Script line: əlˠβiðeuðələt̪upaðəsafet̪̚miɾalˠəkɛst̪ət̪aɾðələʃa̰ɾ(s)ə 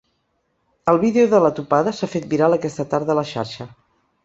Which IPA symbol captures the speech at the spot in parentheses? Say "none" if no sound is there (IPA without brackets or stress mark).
ʃ